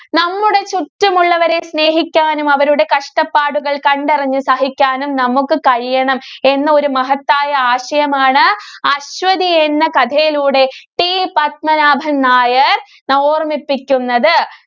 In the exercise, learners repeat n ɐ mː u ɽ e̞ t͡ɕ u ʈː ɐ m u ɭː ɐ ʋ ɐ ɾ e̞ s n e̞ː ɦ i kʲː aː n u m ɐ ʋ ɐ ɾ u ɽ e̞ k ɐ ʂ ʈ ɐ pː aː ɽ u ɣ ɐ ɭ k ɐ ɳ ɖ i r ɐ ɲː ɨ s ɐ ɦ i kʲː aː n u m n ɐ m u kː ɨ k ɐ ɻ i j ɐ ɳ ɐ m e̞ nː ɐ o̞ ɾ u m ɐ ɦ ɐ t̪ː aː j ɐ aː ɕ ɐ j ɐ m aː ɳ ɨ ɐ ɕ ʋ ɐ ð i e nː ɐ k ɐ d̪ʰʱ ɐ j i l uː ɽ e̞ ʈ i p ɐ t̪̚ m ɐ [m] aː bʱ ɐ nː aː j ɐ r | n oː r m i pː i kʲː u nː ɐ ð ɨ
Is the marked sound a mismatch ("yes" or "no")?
yes